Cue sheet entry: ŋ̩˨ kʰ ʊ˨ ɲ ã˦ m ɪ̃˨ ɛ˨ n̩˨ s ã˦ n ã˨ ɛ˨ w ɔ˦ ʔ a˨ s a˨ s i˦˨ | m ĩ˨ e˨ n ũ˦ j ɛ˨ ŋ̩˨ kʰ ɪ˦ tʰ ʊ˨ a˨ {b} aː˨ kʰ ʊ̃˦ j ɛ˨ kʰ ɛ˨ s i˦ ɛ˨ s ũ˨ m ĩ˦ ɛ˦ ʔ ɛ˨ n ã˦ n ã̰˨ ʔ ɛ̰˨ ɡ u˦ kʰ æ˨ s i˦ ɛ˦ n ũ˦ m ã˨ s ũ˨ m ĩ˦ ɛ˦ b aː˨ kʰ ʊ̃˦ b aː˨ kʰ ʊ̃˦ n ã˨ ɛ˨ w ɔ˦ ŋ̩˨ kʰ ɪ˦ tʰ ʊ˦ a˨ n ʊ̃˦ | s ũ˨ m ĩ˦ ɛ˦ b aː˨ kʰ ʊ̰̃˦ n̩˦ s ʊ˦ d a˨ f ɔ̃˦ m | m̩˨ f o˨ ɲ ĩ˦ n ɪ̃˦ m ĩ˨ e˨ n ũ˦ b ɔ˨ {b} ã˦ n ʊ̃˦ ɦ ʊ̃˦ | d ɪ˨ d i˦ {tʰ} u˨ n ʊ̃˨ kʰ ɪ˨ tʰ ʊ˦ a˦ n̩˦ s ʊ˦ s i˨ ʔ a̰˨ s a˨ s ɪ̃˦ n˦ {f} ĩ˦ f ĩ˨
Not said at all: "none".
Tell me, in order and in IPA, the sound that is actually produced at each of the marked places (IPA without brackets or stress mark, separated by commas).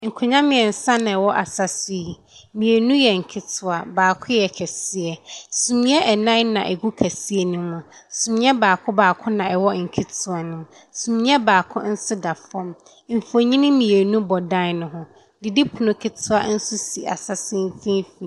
b, d, pʰ, f